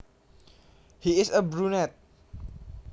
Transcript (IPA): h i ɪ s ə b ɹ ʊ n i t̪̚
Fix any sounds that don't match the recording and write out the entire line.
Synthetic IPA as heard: h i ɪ s ə b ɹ u n ɛ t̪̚